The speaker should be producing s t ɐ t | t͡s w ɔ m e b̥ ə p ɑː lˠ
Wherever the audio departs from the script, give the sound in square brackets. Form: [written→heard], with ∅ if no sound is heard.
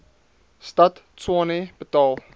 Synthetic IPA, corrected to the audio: s t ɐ t | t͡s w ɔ [m→n] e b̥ ə [p→t] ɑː lˠ